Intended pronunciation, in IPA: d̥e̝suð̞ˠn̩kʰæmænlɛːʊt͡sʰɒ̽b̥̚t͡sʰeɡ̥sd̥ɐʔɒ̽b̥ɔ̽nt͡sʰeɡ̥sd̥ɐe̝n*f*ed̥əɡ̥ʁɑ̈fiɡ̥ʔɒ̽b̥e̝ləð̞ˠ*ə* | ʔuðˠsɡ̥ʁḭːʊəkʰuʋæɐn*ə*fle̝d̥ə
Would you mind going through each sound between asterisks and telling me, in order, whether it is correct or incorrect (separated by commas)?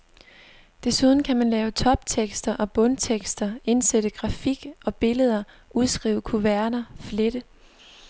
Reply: incorrect, incorrect, incorrect